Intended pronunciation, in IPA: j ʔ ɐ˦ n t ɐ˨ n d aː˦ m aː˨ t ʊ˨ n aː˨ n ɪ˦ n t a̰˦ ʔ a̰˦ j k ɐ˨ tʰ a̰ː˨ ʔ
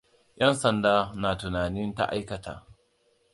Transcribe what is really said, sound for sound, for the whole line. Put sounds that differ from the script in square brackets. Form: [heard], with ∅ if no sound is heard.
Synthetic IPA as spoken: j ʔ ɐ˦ n [s] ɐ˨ n d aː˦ [n] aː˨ t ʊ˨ n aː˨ n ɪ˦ n t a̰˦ ʔ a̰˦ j k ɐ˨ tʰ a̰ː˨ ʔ